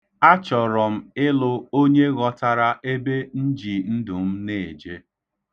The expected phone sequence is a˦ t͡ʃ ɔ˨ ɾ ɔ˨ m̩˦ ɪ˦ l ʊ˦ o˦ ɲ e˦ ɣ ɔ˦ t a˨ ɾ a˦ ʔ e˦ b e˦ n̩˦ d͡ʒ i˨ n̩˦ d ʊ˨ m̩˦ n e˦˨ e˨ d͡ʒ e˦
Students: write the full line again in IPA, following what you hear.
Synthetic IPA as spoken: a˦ t͡ʃ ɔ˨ ɾ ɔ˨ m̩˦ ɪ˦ l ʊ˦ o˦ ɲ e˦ ɣ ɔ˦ t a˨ ɾ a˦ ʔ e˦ b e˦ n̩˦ d͡ʒ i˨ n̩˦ d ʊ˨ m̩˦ n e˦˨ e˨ d͡ʒ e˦